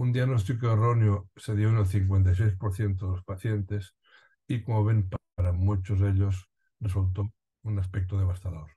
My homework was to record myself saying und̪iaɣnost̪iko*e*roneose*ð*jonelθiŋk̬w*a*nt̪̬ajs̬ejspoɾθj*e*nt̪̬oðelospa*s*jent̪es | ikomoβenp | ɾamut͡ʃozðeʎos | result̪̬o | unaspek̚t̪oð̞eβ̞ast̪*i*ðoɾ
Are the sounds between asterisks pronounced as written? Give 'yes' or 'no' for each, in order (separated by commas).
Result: yes, yes, no, yes, no, no